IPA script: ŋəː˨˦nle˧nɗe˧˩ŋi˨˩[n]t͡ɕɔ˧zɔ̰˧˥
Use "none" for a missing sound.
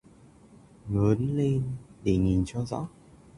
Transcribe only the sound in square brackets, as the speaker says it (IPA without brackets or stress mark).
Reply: n